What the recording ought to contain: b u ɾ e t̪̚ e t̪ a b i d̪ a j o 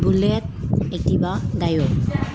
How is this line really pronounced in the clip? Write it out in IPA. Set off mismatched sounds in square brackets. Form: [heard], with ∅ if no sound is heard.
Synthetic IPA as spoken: b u [l] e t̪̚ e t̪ [i] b [a] d̪ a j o